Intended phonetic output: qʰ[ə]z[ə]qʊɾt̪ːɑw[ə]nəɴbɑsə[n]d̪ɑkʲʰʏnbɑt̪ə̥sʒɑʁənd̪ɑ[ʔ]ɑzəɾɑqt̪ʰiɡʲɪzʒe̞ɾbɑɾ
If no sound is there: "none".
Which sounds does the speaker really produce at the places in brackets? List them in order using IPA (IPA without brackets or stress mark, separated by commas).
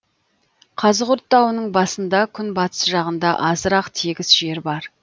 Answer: ɑ, ə, ə, n, ʔ